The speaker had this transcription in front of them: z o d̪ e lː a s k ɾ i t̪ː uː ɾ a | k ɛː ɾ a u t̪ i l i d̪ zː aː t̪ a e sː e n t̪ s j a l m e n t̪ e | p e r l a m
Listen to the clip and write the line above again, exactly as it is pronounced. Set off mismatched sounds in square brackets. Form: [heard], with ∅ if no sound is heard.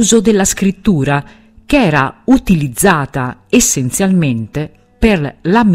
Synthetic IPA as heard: z o d̪ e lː a s k ɾ i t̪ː uː ɾ a | k ɛː ɾ a u t̪ i l i d̪ zː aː t̪ a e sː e n t̪ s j a l m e n t̪ e | p e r l a m